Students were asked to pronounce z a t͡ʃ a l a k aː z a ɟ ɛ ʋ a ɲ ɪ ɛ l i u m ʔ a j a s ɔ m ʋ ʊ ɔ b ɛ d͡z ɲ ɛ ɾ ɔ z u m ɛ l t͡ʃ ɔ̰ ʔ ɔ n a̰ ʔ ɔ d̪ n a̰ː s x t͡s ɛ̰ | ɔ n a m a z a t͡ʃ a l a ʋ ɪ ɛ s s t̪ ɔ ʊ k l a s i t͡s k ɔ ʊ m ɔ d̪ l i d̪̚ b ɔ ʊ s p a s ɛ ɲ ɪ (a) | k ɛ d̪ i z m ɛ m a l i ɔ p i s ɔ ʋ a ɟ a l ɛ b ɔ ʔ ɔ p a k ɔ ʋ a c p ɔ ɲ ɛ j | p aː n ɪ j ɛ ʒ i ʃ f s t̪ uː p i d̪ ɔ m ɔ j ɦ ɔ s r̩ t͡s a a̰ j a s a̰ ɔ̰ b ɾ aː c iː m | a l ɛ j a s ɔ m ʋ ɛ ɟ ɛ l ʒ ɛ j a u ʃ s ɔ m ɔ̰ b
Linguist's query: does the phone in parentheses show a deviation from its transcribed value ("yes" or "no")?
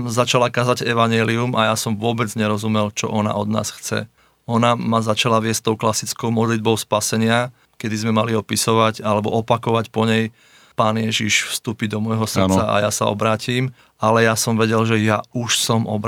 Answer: no